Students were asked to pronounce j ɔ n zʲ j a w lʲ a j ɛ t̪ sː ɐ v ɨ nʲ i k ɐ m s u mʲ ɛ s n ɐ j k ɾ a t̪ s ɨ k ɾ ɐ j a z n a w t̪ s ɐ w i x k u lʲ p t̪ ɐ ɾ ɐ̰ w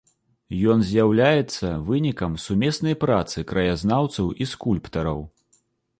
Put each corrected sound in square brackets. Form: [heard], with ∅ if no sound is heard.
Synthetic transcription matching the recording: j ɔ n zʲ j a w lʲ a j ɛ t̪ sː ɐ v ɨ nʲ i k ɐ m s u mʲ ɛ s n ɐ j [p] ɾ a t̪ s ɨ k ɾ ɐ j a z n a w t̪ s ɐ w i [s] k u lʲ p t̪ ɐ ɾ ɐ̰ w